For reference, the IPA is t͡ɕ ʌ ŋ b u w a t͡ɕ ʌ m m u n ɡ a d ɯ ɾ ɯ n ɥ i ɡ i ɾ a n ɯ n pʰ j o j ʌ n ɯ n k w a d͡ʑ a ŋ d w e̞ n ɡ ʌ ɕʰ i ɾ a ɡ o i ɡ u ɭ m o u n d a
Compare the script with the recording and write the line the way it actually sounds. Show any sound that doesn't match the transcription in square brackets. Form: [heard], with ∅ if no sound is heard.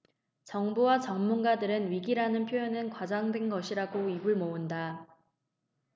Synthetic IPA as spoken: t͡ɕ ʌ ŋ b u w a t͡ɕ ʌ [ŋ] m u n ɡ a d ɯ ɾ ɯ n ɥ i ɡ i ɾ a n ɯ n pʰ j o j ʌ n ɯ n k w a d͡ʑ a ŋ d w e̞ n ɡ ʌ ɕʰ i ɾ a ɡ o i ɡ u ɭ m o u n d a